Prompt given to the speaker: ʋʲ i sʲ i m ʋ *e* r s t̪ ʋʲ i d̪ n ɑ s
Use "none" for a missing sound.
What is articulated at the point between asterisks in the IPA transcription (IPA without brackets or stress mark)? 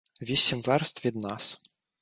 ɛ